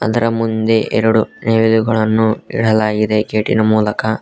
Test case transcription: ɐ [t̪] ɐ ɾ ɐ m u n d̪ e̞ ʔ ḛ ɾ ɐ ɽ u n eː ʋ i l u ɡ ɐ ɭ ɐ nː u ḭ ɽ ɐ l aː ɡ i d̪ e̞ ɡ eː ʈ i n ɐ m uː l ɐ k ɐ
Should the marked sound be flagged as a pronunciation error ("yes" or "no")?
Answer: yes